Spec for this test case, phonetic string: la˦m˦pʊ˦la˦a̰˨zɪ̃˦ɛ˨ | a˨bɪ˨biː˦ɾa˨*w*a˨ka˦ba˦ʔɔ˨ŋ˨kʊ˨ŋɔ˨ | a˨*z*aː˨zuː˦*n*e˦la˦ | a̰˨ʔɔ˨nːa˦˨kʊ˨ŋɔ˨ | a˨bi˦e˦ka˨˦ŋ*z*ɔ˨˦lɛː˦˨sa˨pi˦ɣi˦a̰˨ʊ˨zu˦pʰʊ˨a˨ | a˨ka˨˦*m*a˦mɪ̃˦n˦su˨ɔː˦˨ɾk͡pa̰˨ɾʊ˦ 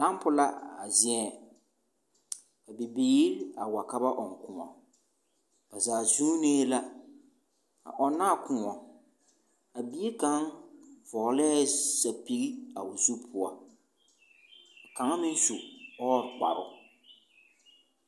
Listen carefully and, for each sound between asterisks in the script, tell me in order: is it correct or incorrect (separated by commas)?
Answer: correct, correct, correct, incorrect, incorrect